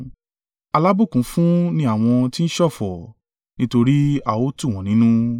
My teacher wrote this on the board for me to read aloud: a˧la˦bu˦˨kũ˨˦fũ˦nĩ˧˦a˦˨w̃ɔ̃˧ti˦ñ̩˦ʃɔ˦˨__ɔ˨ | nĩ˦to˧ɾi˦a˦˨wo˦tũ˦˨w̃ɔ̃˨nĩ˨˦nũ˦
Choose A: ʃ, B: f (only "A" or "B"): B